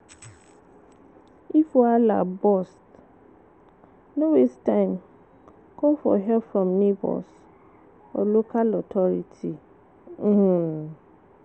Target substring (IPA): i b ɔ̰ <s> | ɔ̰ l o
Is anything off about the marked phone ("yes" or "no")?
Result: no